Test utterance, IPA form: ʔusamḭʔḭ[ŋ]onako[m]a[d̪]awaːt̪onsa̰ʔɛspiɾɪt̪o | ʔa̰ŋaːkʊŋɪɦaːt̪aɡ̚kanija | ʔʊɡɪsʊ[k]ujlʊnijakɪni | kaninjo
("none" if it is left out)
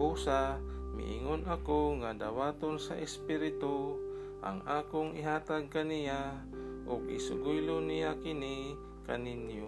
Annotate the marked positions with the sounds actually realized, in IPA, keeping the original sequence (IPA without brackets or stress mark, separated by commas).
ŋ, ŋ, d̪, ɡ